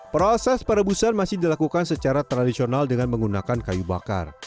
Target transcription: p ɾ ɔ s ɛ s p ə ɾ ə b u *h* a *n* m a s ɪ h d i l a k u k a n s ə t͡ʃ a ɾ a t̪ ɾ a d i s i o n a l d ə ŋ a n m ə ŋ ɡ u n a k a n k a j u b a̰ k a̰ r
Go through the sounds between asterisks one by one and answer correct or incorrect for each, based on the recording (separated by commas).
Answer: incorrect, correct